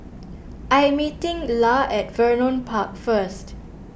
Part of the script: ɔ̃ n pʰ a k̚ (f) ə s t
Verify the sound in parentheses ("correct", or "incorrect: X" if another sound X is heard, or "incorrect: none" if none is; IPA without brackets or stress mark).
correct